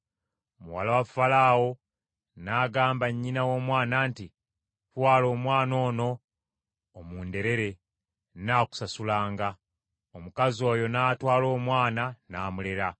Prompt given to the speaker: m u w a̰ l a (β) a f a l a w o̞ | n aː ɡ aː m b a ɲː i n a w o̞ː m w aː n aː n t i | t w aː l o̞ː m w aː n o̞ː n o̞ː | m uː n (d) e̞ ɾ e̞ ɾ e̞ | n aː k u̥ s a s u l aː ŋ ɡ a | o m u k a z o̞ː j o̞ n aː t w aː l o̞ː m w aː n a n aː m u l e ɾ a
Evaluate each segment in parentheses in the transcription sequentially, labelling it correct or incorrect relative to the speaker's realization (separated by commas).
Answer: incorrect, correct